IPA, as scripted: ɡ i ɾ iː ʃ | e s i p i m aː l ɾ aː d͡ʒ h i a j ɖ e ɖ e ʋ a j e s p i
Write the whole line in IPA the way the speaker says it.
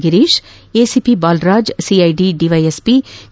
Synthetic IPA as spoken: ɡ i ɾ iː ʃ | e s i p i b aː l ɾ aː d͡ʒ s i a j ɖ i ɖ i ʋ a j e s p i